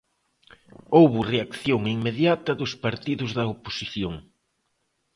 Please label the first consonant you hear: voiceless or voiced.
voiced